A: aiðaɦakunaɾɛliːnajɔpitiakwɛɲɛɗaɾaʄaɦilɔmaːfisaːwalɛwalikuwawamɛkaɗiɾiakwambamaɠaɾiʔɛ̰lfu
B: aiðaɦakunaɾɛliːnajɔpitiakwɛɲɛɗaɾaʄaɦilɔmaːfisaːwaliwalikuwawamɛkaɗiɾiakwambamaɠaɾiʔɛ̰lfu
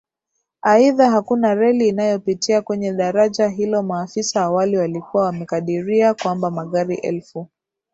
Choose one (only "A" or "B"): B